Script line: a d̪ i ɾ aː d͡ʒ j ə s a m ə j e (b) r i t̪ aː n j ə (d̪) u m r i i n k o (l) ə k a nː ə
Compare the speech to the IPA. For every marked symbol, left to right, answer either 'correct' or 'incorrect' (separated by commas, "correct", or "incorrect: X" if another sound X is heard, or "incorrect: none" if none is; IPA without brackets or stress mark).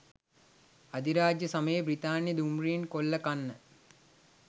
correct, correct, incorrect: lː